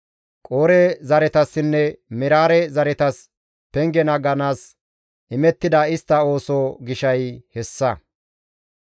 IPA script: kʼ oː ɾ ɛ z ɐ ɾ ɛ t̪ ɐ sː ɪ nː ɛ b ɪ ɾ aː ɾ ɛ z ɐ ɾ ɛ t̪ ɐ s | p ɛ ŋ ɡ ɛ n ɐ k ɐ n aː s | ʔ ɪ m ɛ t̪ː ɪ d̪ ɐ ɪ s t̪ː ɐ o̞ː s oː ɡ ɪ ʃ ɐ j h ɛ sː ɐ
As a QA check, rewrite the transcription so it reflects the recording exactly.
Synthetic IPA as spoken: kʼ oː ɾ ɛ z ɐ ɾ ɛ t̪ ɐ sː ɪ nː ɛ m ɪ ɾ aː ɾ ɛ z ɐ ɾ ɛ t̪ ɐ s | p ɛ ŋ ɡ ɛ n ɐ ɡ ɐ n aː s | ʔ ɪ m ɛ t̪ː ɪ d̪ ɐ ɪ s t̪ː ɐ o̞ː s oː ɡ ɪ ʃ ɐ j h ɛ sː ɐ

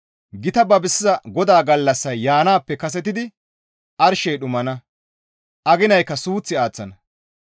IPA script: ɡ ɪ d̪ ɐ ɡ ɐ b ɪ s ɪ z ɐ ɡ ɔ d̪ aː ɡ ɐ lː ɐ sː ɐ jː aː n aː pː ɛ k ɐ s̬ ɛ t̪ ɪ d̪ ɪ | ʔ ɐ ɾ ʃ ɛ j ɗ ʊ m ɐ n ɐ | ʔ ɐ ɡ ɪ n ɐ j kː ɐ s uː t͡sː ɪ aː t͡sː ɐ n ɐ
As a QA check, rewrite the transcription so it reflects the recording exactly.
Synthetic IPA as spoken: ɡ ɪ t̪ ɐ b ɐ b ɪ s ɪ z ɐ ɡ ɔ d̪ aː ɡ ɐ lː ɐ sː ɐ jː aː n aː pː ɛ k ɐ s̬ ɛ t̪ ɪ d̪ ɪ | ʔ ɐ ɾ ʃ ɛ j ɗ ʊ m ɐ n ɐ | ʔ ɐ ɡ ɪ n ɐ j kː ɐ s uː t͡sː ɪ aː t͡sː ɐ n ɐ

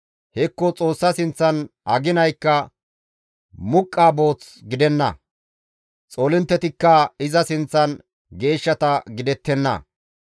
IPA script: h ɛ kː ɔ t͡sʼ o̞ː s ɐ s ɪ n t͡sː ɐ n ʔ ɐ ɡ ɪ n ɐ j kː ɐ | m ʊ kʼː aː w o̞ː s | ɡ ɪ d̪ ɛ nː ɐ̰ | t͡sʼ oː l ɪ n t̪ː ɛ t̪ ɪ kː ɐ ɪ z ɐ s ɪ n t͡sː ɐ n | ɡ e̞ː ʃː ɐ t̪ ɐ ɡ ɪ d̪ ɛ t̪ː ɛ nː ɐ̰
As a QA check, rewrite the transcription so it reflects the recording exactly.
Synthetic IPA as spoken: h ɛ kː ɔ t͡sʼ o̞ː sː ɐ s ɪ n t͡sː ɐ n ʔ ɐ ɡ ɪ n ɐ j kː ɐ | m ʊ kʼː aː b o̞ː t͡s | ɡ ɪ d̪ ɛ nː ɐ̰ | t͡sʼ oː l ɪ n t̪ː ɛ t̪ ɪ kː ɐ ɪ z ɐ s ɪ n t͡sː ɐ n | ɡ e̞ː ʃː ɐ t̪ ɐ ɡ ɪ d̪ ɛ t̪ː ɛ nː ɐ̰

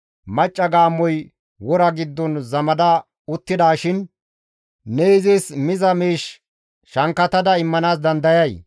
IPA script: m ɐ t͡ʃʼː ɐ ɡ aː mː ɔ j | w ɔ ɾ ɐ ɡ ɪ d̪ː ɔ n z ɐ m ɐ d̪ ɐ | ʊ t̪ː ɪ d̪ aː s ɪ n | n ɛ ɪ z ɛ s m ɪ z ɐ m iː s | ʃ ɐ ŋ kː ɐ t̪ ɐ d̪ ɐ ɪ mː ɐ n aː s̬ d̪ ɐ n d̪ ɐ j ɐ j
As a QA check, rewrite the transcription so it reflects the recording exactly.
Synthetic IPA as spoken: m ɐ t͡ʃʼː ɐ ɡ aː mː ɔ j | w ɔ ɾ ɐ ɡ ɪ d̪ː ɔ n z ɐ m ɐ d̪ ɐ | ʊ t̪ː ɪ d̪ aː ʃ ɪ n | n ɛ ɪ z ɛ s m ɪ z ɐ m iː ʃ | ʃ ɐ ŋ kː ɐ t̪ ɐ d̪ ɐ ɪ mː ɐ n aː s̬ d̪ ɐ n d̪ ɐ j ɐ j

